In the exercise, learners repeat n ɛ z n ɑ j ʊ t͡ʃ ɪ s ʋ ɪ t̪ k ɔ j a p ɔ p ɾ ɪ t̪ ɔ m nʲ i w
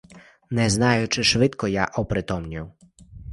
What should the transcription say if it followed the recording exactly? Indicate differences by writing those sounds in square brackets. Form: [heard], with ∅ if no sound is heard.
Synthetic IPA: n ɛ z n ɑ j ʊ t͡ʃ ɪ [ʃ] ʋ ɪ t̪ k ɔ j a [ʔ] ɔ p ɾ ɪ t̪ ɔ m nʲ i w